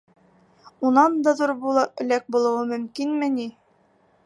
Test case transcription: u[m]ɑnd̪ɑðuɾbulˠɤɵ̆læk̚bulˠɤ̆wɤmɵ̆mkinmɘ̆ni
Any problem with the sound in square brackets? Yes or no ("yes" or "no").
yes